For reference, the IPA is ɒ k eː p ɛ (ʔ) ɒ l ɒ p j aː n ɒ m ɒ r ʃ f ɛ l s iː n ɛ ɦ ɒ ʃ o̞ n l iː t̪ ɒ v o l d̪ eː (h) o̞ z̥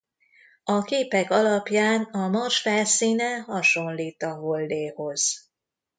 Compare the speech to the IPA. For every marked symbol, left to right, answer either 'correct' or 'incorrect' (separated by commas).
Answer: incorrect, correct